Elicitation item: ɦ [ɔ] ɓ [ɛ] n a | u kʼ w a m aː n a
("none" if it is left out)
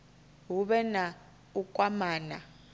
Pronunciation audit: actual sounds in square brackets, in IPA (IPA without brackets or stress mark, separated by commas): u, ɛ